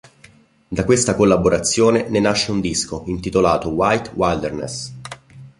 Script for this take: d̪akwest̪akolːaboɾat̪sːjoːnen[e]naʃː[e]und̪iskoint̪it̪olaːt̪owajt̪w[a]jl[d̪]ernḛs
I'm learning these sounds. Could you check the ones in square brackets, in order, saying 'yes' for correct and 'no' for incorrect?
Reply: yes, yes, yes, yes

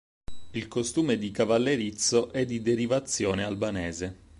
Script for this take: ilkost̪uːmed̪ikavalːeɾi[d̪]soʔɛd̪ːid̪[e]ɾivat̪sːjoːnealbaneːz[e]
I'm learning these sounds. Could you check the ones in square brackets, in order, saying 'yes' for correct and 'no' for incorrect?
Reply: no, yes, yes

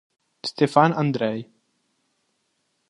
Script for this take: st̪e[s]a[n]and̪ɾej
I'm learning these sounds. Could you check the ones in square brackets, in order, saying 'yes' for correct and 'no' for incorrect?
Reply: no, yes

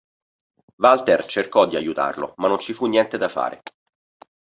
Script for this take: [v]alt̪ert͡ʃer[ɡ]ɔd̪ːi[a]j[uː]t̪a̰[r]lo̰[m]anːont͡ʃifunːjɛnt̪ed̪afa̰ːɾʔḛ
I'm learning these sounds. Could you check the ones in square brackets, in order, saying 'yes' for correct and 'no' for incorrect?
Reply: yes, no, yes, no, yes, yes

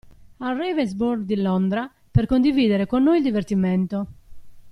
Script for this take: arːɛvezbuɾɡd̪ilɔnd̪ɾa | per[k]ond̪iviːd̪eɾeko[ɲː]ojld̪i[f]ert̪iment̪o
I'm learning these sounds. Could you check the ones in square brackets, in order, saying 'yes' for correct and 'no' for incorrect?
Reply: yes, no, no

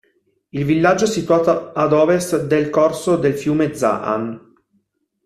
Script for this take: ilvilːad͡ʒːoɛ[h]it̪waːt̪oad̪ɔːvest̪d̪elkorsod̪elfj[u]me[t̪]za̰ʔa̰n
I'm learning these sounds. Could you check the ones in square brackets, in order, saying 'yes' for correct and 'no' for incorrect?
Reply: no, no, no

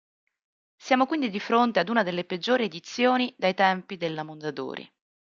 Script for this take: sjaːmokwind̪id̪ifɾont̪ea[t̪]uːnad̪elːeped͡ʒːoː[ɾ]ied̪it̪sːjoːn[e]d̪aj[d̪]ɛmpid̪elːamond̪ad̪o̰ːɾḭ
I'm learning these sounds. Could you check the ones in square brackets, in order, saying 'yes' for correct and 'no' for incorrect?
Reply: no, yes, no, no

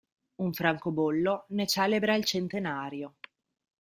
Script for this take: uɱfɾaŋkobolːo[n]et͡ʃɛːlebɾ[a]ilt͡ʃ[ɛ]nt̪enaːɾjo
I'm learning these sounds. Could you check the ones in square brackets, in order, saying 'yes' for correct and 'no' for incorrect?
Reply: yes, yes, no

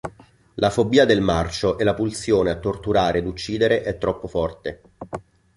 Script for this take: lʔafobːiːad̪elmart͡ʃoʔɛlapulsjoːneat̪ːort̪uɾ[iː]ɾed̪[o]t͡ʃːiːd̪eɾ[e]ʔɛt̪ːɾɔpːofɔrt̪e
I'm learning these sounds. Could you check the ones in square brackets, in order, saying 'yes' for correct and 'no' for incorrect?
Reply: no, no, yes

